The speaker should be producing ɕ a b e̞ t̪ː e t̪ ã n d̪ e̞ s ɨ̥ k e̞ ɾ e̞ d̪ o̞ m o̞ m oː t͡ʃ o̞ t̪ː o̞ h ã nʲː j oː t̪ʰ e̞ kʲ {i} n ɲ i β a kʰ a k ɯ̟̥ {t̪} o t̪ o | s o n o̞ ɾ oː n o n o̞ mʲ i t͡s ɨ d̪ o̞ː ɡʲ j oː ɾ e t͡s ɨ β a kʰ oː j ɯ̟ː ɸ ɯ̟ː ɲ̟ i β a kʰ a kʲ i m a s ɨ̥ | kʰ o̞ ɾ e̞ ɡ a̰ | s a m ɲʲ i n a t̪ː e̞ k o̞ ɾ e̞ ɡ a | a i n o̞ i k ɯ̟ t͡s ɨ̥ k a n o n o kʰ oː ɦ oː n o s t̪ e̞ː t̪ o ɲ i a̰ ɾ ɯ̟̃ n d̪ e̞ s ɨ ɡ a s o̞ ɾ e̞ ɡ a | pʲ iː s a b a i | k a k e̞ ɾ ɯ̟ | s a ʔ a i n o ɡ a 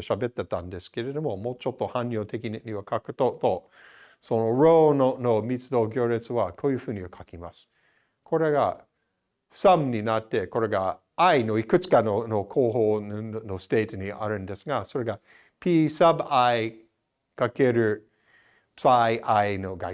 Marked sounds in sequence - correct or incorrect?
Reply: correct, correct

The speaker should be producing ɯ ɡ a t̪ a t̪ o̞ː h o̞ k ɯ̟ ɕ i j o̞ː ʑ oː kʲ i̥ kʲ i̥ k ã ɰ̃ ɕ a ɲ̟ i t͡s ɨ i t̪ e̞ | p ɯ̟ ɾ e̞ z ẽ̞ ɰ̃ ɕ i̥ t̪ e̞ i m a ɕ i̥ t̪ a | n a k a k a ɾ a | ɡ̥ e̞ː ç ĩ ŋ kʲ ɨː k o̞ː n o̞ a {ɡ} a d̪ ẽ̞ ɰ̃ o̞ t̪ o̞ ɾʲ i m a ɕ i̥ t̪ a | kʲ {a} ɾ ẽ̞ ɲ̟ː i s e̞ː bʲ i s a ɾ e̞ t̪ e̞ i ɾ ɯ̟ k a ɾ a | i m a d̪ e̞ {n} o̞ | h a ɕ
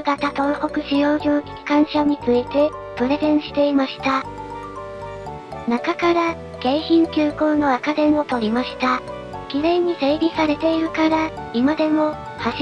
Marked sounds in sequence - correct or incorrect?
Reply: incorrect, incorrect, incorrect

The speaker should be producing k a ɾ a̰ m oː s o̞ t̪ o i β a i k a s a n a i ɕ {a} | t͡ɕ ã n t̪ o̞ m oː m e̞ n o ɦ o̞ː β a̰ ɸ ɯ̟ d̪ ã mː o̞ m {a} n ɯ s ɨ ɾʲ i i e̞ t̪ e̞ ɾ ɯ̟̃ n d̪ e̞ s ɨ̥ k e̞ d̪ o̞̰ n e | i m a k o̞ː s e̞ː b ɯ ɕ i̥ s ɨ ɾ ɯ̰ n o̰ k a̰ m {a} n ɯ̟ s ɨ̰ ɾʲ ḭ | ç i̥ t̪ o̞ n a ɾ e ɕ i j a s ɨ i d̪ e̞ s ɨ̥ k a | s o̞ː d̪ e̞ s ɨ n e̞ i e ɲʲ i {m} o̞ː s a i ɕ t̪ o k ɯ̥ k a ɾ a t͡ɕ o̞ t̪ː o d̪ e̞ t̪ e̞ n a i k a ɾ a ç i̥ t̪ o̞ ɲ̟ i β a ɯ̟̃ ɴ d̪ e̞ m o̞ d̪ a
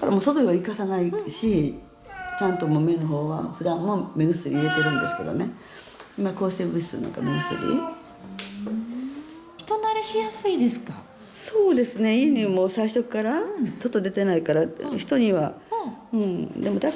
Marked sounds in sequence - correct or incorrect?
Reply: incorrect, incorrect, incorrect, correct

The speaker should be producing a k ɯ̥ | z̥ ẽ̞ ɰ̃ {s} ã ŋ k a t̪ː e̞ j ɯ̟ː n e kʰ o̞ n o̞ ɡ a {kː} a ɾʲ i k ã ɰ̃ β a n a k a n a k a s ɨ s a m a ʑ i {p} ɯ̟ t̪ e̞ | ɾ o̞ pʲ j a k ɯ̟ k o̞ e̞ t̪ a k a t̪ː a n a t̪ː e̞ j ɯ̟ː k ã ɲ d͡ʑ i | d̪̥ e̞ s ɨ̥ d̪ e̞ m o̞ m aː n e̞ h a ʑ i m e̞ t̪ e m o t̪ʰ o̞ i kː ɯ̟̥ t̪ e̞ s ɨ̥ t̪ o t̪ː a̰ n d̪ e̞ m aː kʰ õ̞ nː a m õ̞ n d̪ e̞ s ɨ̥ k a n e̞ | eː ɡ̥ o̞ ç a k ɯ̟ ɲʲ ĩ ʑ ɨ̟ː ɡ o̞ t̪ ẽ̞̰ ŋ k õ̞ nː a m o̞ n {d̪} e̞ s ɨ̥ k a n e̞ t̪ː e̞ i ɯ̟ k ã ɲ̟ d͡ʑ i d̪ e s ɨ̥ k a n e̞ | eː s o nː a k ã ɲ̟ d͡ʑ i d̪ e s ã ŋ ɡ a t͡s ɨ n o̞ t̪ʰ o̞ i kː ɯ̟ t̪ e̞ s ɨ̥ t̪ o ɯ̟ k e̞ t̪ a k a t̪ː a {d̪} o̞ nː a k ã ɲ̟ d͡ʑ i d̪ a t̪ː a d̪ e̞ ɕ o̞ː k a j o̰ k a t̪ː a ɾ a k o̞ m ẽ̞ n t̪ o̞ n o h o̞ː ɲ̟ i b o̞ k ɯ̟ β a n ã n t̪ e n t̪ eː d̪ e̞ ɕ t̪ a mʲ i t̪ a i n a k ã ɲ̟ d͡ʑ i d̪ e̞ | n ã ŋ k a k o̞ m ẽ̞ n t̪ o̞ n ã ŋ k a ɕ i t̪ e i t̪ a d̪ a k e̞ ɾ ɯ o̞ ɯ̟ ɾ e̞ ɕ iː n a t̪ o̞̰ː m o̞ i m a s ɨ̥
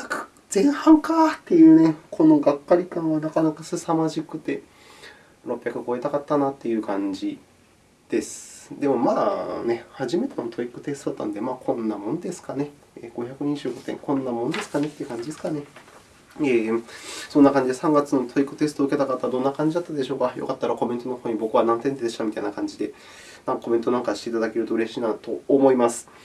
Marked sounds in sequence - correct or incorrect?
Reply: incorrect, correct, incorrect, correct, correct

